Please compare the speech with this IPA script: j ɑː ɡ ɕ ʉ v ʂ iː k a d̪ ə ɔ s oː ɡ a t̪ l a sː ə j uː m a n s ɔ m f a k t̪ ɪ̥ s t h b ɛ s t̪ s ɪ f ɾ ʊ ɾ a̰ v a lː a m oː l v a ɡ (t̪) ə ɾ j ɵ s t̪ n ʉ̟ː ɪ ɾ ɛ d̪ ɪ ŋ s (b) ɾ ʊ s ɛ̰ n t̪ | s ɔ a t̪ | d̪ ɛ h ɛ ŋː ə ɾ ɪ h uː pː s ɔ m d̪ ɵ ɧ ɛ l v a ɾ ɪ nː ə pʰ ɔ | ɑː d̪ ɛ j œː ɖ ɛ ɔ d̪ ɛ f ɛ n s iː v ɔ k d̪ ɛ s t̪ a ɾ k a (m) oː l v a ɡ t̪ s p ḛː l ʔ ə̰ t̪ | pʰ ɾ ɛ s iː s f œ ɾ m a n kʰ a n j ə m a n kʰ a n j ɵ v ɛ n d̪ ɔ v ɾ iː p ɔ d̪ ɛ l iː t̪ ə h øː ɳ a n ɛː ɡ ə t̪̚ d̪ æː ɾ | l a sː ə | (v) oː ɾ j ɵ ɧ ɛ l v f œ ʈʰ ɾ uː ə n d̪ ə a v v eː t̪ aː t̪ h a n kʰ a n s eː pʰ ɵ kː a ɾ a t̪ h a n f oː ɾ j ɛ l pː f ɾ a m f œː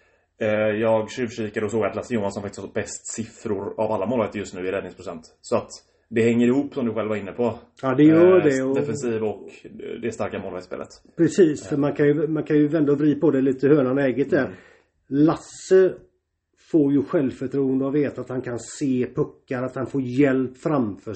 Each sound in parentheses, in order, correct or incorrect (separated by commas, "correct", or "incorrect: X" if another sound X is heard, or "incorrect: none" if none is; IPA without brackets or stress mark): correct, incorrect: p, correct, incorrect: f